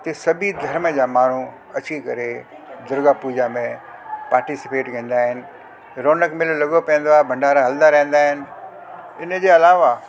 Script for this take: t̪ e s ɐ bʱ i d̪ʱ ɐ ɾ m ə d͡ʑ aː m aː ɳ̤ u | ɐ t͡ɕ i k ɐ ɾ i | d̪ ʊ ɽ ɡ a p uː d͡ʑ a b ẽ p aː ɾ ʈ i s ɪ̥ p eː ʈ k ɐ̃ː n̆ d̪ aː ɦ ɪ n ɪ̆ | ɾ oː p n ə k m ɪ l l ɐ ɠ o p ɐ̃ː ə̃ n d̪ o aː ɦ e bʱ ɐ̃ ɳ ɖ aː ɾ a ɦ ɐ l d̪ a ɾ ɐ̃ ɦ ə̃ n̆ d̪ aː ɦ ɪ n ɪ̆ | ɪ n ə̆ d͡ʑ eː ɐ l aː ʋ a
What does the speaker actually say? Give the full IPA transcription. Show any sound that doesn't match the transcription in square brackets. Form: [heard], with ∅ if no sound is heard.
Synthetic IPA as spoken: t̪ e s ɐ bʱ i d̪ʱ ɐ ɾ m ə d͡ʑ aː m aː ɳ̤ u | ɐ t͡ɕ i k ɐ ɾ [e] | d̪ ʊ [ɾ] ɡ a p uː d͡ʑ a [m] ẽ p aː ɾ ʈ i s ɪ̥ p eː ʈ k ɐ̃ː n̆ d̪ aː ɦ ɪ n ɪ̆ | ɾ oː [∅] n ə k m ɪ l l ɐ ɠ o p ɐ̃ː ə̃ n d̪ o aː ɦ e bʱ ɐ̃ ɳ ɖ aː ɾ a ɦ ɐ l d̪ a ɾ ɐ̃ ɦ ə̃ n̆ d̪ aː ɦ ɪ n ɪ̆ | ɪ n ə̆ d͡ʑ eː ɐ l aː ʋ a